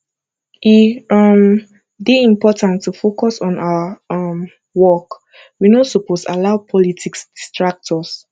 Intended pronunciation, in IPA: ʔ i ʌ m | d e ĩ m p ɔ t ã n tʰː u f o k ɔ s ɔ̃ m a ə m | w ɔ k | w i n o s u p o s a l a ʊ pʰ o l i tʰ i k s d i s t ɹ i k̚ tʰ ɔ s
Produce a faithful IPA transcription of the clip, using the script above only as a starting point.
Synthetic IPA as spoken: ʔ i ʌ m | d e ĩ m p ɔ t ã n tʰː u f o k ɔ s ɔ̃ n a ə m | w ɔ k | w i n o s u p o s a l a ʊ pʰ ɔ l i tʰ i k s d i s t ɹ a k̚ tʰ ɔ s